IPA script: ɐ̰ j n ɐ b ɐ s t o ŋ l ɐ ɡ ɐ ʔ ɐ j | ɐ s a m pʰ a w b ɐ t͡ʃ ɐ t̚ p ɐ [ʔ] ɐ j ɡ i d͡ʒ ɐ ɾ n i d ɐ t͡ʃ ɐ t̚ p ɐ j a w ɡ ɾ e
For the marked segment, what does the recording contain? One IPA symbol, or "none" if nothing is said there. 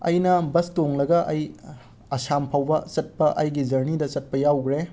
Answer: ʔ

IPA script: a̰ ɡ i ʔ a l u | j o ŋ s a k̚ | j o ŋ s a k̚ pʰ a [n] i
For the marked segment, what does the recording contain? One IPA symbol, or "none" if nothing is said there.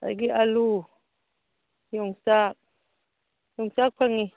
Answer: ŋ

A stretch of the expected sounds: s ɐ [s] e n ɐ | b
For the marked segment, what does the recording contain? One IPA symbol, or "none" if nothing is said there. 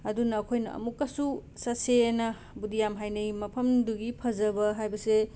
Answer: s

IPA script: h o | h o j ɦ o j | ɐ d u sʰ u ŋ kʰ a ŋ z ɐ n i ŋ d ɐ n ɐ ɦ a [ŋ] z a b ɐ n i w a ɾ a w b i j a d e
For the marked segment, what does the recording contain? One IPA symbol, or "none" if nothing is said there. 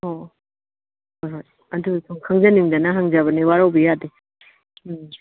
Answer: ŋ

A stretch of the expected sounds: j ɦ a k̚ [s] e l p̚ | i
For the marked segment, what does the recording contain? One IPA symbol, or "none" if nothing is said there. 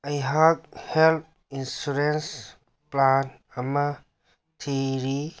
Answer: h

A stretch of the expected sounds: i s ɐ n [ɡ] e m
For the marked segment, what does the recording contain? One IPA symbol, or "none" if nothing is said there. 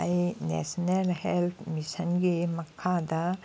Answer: ɡ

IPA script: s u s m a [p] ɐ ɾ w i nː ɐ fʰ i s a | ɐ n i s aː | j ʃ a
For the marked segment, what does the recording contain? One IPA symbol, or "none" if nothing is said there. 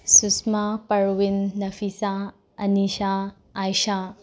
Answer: p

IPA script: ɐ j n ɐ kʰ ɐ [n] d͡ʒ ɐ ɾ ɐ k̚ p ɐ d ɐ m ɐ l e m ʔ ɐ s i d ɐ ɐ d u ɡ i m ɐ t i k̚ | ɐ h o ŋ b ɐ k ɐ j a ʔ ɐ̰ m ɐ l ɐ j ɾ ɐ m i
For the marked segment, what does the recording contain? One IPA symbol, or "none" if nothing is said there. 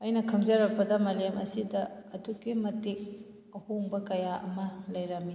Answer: m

